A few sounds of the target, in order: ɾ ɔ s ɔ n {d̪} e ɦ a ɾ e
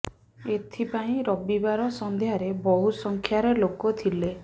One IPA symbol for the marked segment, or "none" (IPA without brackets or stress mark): d̪